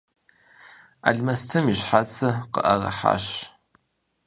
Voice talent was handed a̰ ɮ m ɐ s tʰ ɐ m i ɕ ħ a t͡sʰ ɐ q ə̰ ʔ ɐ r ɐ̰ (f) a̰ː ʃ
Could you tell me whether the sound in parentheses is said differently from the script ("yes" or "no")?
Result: yes